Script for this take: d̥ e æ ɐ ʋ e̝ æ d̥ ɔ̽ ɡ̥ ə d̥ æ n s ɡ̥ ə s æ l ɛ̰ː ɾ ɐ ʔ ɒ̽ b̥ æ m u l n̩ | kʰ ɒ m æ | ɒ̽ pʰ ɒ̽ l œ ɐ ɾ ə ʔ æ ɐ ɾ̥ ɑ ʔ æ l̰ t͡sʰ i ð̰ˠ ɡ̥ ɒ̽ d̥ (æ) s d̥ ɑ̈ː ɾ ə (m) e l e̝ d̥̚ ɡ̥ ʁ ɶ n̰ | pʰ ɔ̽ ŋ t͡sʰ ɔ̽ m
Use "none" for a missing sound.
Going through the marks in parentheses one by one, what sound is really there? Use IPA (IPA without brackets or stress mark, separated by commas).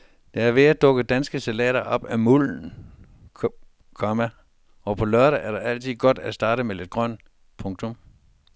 æ, m